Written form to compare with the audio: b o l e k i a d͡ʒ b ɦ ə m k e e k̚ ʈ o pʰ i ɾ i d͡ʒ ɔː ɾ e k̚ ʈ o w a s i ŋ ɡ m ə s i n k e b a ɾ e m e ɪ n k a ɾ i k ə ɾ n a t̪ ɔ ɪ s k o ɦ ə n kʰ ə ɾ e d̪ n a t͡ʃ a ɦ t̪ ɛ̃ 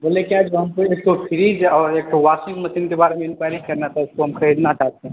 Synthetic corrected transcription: b o l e k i a d͡ʒ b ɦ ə m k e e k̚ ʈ o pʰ i ɾ i d͡ʒ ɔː ɾ e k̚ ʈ o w a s i ŋ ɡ m ə s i n k e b a ɾ e m e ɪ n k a ɾ i k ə ɾ n a t̪ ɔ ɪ s k o ɦ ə m kʰ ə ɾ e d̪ n a t͡ʃ a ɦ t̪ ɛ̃